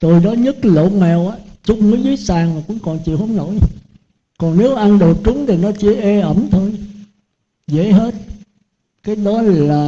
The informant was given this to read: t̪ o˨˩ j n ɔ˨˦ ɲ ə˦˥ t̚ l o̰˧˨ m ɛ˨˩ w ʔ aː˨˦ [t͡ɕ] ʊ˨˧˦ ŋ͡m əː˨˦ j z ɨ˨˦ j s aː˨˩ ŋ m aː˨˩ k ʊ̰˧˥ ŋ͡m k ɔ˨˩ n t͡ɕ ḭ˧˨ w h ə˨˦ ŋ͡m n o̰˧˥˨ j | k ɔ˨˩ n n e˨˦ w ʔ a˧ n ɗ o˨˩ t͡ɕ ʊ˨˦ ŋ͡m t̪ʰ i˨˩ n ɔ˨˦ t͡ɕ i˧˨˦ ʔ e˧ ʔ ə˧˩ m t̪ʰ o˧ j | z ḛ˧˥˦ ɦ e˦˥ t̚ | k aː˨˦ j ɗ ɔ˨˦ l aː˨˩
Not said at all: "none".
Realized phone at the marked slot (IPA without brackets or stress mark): t͡ɕ